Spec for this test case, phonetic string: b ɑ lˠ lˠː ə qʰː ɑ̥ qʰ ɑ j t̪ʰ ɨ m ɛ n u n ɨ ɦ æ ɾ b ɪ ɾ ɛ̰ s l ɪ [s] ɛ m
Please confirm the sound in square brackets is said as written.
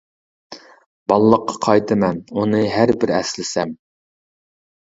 yes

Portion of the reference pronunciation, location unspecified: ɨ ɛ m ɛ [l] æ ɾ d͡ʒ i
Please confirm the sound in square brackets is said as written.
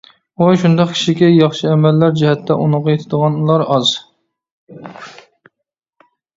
no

